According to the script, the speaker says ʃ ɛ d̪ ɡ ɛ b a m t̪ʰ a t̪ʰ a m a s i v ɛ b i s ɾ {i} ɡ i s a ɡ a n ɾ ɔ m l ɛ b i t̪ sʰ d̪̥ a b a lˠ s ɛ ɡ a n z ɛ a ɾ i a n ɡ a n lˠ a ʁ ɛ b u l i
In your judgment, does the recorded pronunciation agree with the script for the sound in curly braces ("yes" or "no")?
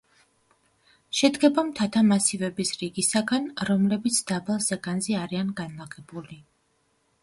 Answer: yes